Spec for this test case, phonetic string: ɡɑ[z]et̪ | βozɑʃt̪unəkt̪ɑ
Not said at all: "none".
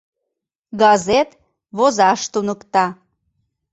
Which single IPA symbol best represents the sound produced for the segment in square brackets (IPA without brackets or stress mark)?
z